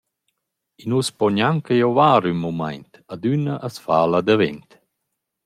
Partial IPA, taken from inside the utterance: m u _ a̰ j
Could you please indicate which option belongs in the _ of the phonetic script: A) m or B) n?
A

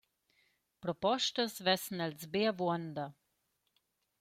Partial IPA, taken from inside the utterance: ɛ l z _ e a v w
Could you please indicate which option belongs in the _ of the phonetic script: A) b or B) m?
A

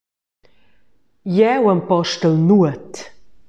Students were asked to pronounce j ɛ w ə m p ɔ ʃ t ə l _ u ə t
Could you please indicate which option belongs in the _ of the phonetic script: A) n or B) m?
A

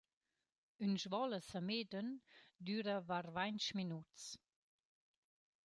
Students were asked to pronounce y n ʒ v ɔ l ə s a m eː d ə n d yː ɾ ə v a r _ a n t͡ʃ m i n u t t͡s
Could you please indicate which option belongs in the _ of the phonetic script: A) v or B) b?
A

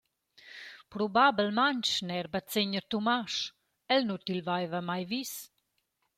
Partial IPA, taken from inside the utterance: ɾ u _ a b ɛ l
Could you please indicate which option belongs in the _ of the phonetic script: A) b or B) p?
A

